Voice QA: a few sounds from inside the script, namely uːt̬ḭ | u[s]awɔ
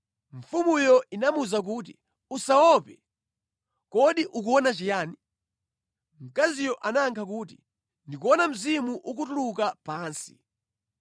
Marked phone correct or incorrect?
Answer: correct